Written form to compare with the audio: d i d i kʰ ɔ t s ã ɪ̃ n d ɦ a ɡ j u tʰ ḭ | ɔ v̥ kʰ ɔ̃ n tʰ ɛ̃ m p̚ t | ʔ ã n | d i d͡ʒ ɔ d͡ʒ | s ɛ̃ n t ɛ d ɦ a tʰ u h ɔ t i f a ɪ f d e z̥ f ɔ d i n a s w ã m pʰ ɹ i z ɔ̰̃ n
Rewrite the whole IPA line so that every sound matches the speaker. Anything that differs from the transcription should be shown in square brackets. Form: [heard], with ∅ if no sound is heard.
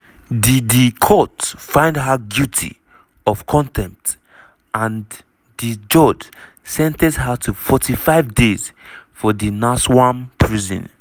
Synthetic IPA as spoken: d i d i kʰ ɔ t [f] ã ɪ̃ n d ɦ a ɡ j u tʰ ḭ | ɔ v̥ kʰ ɔ̃ n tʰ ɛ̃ m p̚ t | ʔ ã n | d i d͡ʒ ɔ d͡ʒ | s ɛ̃ n t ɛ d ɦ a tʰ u [f] ɔ t i f a ɪ [v] d e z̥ f ɔ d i n a s w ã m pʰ ɹ i z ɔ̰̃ n